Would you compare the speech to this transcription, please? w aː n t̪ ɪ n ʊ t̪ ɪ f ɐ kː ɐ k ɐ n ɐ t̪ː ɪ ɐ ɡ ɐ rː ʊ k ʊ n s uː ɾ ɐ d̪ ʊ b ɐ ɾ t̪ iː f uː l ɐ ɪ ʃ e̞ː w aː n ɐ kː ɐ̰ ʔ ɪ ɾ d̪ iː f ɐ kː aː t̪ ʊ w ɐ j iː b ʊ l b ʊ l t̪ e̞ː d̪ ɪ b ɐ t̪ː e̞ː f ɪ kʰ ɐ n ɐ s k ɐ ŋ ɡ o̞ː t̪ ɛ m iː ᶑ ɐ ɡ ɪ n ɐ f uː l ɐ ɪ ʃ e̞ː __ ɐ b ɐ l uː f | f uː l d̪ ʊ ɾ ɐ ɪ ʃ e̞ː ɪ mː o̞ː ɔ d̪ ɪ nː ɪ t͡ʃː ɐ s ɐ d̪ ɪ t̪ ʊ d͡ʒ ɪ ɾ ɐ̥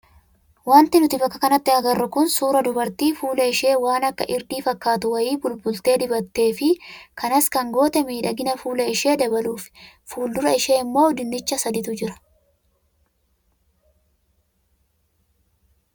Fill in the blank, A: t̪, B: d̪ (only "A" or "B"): B